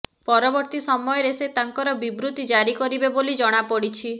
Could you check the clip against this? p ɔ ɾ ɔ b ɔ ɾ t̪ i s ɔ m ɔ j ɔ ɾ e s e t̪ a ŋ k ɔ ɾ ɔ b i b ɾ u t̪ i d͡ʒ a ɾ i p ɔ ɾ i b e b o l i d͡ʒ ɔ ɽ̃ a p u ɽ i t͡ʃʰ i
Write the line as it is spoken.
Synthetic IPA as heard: p ɔ ɾ ɔ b ɔ ɾ t̪ i s ɔ m ɔ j ɔ ɾ e s e t̪ a ŋ k ɔ ɾ ɔ b i b ɾ u t̪ i d͡ʒ a ɾ i k ɔ ɾ i b e b o l i d͡ʒ ɔ ɽ̃ a p ɔ ɽ i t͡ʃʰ i